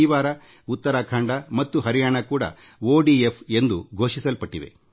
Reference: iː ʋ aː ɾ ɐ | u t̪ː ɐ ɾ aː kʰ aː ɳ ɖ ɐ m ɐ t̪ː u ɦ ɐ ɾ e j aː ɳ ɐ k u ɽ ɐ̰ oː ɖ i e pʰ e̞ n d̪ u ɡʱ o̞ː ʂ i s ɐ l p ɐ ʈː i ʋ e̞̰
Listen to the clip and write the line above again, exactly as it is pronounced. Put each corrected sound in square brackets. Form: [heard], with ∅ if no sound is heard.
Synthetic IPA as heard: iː ʋ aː ɾ ɐ | u t̪ː ɐ ɾ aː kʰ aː ɳ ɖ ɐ m ɐ t̪ː u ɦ ɐ ɾ [i] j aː ɳ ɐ k [uː] ɽ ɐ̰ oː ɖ i e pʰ e̞ n d̪ u ɡʱ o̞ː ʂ i s ɐ l p ɐ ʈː i ʋ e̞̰

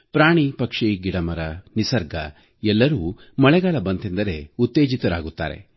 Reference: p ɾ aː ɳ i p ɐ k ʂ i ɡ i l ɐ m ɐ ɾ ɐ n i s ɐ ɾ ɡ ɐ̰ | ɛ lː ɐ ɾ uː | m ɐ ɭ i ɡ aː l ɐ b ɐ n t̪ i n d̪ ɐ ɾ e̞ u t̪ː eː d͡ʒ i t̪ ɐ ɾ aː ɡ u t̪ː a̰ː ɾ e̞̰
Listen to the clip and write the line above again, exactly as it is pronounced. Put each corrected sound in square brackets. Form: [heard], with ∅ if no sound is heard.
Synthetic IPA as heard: p ɾ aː ɳ i p ɐ k ʂ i ɡ i [ɽ] ɐ m ɐ ɾ ɐ n i s ɐ ɾ ɡ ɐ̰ | ɛ lː ɐ ɾ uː | m ɐ ɭ [ɛ] ɡ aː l ɐ b ɐ n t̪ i n d̪ ɐ ɾ e̞ u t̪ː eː d͡ʒ i t̪ ɐ ɾ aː ɡ u t̪ː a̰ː ɾ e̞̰

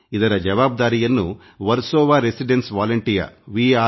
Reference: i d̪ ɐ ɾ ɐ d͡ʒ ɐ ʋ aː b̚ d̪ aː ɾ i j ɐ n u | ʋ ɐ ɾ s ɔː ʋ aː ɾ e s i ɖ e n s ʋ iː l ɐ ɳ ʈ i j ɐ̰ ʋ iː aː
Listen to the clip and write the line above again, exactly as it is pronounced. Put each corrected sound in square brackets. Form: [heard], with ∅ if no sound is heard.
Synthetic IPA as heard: i d̪ ɐ ɾ ɐ d͡ʒ ɐ ʋ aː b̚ d̪ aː ɾ i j ɐ [nː] u | ʋ ɐ ɾ s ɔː ʋ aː ɾ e s i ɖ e n s ʋ [aː] l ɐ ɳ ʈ i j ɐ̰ ʋ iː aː

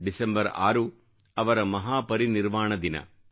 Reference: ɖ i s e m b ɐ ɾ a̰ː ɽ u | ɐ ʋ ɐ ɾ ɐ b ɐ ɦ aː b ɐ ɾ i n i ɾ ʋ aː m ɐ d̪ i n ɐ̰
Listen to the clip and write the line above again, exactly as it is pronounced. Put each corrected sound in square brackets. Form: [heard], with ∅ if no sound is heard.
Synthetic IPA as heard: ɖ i s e m b ɐ ɾ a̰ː [ɾ] u | ɐ ʋ ɐ ɾ ɐ [m] ɐ ɦ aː [p] ɐ ɾ i n i ɾ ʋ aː [ɳ] ɐ d̪ i n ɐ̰

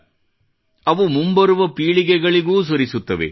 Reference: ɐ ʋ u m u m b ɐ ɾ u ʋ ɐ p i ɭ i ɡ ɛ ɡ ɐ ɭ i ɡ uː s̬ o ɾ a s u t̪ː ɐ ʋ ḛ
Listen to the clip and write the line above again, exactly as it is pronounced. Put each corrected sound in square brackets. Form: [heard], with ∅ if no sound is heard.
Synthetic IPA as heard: ɐ ʋ u m u m b ɐ ɾ u ʋ ɐ p [iː] ɭ i ɡ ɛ ɡ ɐ ɭ i ɡ uː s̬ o ɾ [i] s u t̪ː ɐ ʋ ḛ

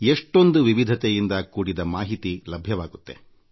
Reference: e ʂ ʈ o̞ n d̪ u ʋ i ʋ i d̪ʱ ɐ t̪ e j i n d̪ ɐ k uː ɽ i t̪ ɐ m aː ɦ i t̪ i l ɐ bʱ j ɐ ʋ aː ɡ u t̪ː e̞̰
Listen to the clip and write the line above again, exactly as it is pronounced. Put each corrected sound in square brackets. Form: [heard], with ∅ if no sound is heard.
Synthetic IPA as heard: e ʂ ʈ o̞ n d̪ u ʋ i ʋ i d̪ʱ ɐ t̪ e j i n d̪ ɐ k uː ɽ i [d̪] ɐ m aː ɦ i t̪ i l ɐ bʱ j ɐ ʋ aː ɡ u t̪ː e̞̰

